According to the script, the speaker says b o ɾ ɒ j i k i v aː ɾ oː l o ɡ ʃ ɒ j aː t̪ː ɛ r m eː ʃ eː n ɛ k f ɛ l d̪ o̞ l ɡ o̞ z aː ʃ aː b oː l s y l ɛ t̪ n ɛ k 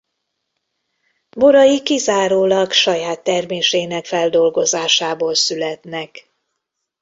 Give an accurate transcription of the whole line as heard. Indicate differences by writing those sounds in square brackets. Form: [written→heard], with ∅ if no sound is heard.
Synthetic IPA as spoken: b o ɾ ɒ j i k i [v→z] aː ɾ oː l [o→ɒ] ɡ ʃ ɒ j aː t̪ː ɛ r m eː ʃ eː n ɛ k f ɛ l d̪ o̞ l ɡ o̞ z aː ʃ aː b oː l s y l ɛ t̪ n ɛ k